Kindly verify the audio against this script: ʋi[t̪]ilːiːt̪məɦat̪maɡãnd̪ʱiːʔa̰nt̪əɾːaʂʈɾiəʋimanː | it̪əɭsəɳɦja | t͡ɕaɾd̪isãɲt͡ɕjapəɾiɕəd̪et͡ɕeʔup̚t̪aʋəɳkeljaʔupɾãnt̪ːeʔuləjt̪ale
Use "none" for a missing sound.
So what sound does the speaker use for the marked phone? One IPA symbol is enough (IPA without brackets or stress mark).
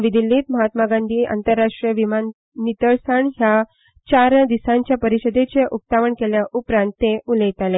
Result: d̪